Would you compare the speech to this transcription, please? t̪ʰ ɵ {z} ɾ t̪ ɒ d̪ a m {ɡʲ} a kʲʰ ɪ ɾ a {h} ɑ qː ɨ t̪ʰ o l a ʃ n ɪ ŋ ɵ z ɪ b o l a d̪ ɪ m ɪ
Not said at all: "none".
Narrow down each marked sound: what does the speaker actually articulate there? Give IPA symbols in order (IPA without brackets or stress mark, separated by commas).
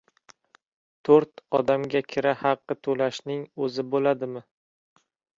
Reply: none, ɡʲ, h